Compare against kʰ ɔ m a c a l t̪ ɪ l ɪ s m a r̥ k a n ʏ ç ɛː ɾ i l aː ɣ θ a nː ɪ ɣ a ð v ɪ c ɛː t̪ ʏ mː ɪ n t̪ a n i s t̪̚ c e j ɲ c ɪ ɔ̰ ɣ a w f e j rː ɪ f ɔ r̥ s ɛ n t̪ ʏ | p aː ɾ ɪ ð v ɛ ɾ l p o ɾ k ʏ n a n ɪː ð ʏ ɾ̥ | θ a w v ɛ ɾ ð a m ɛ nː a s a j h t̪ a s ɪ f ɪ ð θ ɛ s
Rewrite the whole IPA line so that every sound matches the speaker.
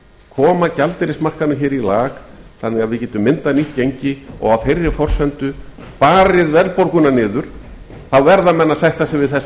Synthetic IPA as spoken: kʰ ɔː m a c a l t̪ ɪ ɾ ɪ s m a r̥ k a n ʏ ç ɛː ɾ i l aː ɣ θ a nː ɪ ɣ a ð v ɪ c ɛː t̪ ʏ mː ɪ n t̪ a n i h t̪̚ c e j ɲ c ɪ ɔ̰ ɣ a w f e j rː ɪ f ɔ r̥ s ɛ n t̪ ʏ | p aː ɾ ɪ ð v ɛ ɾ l p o ɾ k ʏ n a n ɪː ð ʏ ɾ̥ | θ a w v ɛ ɾ ð a m ɛ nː a s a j h t̪ a s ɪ v ɪ ð θ ɛ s